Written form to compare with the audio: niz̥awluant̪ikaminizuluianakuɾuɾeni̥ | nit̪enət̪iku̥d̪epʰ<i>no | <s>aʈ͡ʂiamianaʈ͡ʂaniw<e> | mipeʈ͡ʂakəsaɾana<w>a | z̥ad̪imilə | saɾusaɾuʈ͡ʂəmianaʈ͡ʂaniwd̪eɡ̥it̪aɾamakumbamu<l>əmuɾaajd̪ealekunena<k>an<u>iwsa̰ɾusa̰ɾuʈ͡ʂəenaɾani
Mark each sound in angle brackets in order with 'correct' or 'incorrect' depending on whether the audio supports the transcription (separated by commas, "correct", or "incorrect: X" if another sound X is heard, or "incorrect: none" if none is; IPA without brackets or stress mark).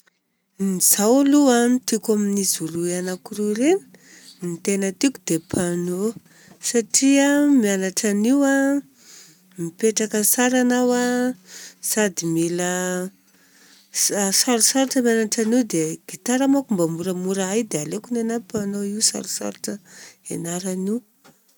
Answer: incorrect: a, correct, incorrect: a, correct, incorrect: ɾ, incorrect: p, incorrect: o